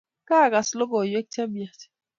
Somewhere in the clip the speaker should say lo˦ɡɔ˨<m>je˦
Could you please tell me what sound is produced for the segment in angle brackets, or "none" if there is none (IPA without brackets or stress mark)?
none